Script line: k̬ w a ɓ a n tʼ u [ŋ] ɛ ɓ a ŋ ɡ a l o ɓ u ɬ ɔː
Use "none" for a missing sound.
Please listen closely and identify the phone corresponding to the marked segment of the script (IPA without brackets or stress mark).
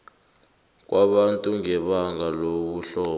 ŋ